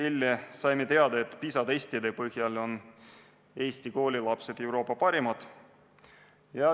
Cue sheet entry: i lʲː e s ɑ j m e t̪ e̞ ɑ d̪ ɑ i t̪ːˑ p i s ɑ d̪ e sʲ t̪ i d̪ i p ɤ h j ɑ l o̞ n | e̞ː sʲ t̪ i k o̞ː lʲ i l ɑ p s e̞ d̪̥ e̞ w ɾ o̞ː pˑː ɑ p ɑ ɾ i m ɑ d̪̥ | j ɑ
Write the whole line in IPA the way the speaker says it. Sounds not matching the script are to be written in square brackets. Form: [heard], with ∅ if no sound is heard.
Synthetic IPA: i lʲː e s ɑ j m e t̪ e̞ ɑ d̪ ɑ [e] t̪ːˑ p i s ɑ d̪ e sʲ t̪ i d̪ [e] p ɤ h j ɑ l o̞ n | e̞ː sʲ t̪ i k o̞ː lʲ i l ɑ p s e̞ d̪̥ e̞ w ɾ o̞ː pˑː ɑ p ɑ ɾ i m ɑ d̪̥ | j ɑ

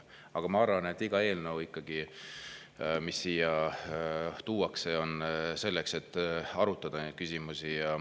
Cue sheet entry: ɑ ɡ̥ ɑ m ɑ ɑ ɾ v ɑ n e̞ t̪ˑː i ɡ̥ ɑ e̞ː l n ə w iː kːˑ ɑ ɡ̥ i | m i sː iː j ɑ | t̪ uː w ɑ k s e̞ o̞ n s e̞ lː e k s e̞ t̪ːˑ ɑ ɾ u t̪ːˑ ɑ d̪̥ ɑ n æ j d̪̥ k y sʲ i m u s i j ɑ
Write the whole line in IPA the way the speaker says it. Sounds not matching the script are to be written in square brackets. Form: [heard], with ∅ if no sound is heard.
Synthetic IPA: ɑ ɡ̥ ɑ m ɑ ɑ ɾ v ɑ n e̞ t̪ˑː i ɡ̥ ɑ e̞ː l n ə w [i] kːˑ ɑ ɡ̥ i | m i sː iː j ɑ | t̪ uː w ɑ k s e̞ o̞ n s e̞ lː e k s e̞ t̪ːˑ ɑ ɾ u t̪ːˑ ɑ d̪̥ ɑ n [e] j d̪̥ k y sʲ i m u s i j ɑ

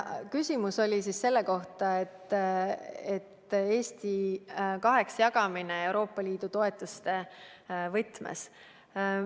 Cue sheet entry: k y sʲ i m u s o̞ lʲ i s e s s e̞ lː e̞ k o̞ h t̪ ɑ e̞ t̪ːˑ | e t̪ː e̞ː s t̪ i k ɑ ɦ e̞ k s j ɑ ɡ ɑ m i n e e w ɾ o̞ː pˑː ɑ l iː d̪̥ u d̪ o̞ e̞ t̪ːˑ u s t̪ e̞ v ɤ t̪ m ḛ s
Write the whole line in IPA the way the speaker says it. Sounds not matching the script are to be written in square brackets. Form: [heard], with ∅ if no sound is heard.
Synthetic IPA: k y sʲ i m u s o̞ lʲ i s [i] s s e̞ lː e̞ k o̞ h t̪ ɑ e̞ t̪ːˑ | e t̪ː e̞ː s t̪ i k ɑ ɦ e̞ k s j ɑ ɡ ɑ m i n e e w ɾ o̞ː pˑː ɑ l iː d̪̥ u [t̪] o̞ e̞ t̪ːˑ u s t̪ e̞ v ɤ t̪ m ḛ s

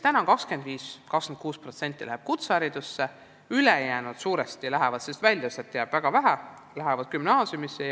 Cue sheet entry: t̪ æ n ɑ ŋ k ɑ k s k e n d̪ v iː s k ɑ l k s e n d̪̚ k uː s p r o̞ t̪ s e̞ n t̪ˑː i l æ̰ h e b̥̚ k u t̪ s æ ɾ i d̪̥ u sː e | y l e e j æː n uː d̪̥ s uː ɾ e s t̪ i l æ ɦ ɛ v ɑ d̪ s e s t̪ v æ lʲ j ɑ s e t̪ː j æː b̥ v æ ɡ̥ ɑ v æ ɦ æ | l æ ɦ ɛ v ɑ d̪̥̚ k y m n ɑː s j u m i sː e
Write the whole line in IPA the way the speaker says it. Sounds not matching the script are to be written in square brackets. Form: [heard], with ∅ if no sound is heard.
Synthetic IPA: t̪ æ n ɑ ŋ k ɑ k s k e n d̪ v iː s k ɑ [∅] k s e n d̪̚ k uː s p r o̞ t̪ s e̞ n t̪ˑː i l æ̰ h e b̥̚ k u t̪ s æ ɾ i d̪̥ u sː e | y l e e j æː n [u] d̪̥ s uː ɾ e s t̪ i l æ ɦ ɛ v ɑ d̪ s e s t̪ v æ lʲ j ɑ s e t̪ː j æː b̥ v æ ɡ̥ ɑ v æ ɦ æ | l æ ɦ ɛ v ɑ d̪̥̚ k y m n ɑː s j u m i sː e

